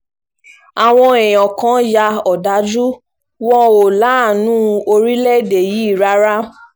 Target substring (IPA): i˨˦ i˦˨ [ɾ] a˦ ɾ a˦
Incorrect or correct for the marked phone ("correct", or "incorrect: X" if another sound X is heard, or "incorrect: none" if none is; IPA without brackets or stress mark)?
correct